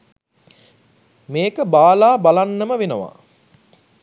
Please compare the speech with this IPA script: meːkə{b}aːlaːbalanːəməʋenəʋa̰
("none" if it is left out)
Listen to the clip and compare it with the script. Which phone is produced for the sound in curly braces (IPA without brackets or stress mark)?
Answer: b